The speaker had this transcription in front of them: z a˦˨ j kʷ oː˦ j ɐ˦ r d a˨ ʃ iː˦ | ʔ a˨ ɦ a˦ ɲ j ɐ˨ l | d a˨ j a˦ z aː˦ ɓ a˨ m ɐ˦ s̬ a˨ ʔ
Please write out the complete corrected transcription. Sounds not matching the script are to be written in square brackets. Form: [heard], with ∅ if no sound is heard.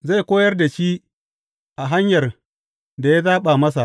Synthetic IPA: z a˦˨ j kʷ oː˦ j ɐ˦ r d a˨ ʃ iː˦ | ʔ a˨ ɦ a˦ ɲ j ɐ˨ [r] | d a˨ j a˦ z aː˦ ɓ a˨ m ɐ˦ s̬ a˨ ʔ